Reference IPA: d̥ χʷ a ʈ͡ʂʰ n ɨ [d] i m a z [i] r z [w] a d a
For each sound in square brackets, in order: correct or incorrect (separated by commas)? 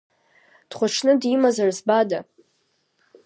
correct, incorrect, incorrect